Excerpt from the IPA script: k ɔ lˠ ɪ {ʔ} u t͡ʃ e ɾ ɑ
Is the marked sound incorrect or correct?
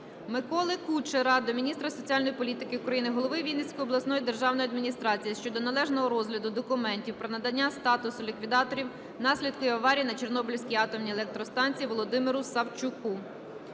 incorrect